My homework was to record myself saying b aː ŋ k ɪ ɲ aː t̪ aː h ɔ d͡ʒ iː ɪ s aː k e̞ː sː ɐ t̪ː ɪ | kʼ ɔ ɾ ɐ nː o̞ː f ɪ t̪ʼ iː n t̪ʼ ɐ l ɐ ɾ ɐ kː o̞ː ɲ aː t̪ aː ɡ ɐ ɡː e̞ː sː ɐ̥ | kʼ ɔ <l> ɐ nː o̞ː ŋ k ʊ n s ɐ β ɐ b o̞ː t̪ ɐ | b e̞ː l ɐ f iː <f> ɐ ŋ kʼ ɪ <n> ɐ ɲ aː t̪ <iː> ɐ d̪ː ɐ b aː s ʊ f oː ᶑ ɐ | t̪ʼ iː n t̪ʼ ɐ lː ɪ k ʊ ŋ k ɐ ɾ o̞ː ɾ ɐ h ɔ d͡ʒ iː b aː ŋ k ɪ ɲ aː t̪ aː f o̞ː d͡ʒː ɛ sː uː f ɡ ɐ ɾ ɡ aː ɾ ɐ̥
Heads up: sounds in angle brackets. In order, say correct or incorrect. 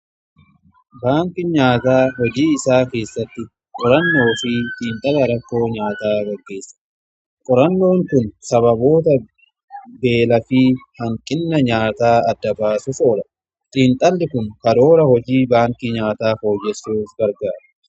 incorrect: ɾ, incorrect: h, incorrect: nː, incorrect: aː

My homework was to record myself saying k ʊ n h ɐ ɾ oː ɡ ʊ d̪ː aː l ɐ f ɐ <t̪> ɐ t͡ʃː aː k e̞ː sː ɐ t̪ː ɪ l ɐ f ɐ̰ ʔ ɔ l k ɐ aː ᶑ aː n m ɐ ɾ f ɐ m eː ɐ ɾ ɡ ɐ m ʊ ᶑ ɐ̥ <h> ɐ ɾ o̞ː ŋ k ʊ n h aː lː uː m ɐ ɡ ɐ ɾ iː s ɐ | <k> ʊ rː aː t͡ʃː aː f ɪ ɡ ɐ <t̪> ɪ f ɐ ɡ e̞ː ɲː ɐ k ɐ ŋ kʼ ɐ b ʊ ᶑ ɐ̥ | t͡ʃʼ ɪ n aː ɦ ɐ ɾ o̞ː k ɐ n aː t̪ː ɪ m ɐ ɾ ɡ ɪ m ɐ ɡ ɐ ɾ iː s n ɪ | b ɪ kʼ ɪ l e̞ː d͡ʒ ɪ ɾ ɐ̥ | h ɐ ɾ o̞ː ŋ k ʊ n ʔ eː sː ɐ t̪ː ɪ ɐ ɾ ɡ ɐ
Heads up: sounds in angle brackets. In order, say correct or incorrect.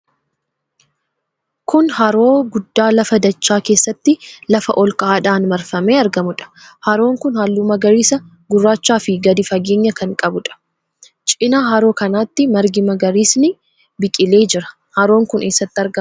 incorrect: d̪, correct, incorrect: ɡ, incorrect: d̪

